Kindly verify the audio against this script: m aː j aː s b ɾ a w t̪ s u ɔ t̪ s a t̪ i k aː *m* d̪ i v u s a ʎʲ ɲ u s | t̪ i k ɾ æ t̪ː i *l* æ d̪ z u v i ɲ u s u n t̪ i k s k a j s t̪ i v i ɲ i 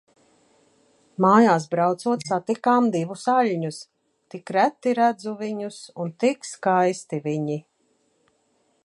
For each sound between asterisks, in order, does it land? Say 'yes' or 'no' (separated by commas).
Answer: yes, no